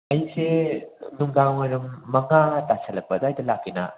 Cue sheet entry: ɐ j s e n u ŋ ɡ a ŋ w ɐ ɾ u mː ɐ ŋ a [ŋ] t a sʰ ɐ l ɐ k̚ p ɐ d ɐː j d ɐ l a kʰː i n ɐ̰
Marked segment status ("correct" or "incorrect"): incorrect